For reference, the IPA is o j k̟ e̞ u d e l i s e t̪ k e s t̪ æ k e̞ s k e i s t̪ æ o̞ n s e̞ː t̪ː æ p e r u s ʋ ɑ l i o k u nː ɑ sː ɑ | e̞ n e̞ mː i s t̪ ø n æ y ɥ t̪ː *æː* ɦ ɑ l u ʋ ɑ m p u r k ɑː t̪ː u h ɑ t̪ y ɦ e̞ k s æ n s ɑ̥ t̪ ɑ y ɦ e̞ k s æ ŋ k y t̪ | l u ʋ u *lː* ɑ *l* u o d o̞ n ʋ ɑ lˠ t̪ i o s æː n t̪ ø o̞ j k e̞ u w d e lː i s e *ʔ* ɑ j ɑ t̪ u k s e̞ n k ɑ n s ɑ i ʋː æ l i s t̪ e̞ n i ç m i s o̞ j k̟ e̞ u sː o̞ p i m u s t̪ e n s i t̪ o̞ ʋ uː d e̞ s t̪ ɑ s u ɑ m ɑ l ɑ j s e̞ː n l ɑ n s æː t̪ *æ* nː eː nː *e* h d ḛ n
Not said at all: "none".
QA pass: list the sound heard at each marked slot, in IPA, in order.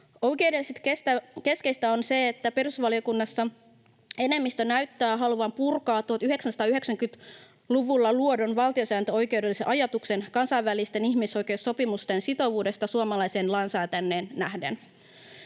æː, lː, l, ʔ, æ, æ

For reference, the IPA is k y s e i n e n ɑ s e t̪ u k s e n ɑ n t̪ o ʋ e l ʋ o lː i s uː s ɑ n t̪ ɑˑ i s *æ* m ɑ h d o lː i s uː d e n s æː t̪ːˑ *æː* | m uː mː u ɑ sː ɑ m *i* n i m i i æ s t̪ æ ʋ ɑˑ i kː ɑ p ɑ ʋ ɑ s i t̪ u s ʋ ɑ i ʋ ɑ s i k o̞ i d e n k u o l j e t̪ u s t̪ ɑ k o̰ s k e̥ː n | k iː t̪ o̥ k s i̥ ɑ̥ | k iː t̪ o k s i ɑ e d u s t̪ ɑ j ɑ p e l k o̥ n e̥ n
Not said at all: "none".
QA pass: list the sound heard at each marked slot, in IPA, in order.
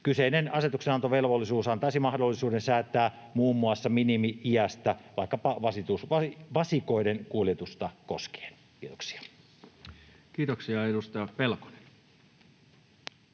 i, æː, i

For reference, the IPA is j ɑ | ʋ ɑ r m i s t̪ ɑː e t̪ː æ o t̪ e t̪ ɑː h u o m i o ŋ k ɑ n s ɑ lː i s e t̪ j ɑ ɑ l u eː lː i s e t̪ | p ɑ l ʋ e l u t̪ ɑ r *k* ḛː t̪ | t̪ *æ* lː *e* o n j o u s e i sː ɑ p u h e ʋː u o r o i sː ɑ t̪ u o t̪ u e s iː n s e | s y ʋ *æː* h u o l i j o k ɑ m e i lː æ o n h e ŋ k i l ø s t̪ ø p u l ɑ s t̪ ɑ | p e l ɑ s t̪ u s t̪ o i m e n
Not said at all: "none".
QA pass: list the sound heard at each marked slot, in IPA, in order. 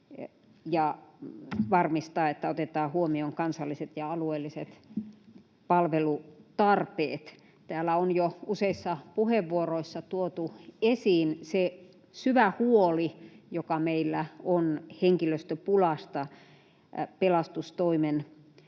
p, æː, æ, æ

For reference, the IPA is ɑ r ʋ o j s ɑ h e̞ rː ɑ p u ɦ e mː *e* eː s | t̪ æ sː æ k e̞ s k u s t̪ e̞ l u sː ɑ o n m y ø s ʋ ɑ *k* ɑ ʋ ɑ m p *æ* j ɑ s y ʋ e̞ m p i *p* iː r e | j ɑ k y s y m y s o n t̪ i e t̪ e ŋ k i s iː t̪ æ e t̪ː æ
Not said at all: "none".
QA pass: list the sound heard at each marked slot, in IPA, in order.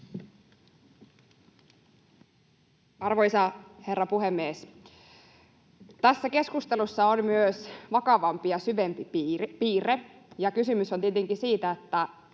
i, k, i, p

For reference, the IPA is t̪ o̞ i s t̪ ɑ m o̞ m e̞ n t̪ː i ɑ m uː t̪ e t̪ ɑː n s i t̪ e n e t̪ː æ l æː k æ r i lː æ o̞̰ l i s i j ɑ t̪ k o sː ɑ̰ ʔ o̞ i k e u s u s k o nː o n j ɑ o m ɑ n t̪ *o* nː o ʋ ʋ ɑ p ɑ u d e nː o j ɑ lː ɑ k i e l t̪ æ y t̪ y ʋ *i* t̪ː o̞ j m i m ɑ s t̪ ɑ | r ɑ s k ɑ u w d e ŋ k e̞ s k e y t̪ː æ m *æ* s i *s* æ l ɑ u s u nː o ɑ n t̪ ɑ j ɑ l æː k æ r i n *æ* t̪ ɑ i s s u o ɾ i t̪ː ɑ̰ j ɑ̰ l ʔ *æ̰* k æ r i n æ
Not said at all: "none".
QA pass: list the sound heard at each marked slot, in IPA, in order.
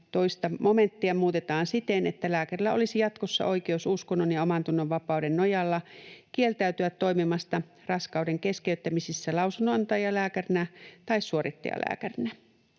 u, æ, i, sː, æ, æ̰ː

